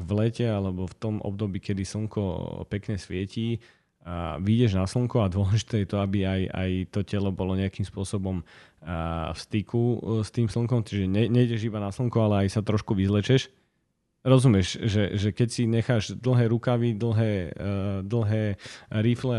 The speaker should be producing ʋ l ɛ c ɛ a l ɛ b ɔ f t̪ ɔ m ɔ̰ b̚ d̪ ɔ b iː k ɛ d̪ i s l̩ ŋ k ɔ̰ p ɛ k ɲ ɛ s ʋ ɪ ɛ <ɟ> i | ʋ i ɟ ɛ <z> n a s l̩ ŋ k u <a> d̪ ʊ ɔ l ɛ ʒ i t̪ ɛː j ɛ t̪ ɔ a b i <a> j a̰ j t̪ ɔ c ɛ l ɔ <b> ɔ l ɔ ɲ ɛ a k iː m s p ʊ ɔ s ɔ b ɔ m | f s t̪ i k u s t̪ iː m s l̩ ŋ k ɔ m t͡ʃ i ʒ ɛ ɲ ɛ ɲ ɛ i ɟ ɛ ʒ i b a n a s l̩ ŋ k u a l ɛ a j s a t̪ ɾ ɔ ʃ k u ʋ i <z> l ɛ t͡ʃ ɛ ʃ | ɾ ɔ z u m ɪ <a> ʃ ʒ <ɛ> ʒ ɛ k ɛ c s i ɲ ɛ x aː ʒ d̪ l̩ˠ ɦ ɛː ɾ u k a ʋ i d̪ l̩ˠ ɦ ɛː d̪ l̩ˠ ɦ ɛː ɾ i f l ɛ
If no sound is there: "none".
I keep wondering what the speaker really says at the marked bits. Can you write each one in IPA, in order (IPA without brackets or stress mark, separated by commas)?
c, ʒ, a, a, b, z, ɛ, ɛ